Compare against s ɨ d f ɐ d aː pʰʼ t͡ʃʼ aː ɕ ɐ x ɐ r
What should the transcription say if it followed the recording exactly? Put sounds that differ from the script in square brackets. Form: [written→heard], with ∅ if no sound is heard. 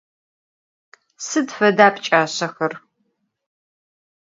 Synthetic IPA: s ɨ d f ɐ d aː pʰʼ t͡ʃʼ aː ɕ ɐ x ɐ r